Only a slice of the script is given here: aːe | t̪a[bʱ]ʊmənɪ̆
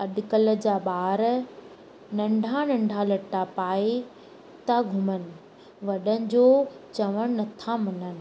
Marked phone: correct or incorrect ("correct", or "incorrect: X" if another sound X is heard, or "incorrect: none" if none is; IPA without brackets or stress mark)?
incorrect: ɡʱ